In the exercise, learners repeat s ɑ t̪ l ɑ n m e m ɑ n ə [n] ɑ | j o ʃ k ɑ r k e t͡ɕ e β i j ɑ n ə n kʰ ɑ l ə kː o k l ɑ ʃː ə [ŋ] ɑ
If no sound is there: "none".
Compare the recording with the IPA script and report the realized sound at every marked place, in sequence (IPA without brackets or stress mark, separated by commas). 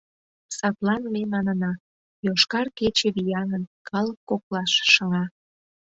n, ŋ